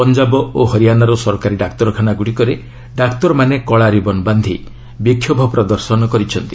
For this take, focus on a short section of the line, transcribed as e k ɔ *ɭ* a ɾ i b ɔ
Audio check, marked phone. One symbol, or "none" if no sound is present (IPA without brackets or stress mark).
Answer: ɭ